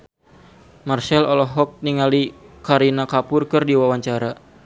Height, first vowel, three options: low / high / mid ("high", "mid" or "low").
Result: low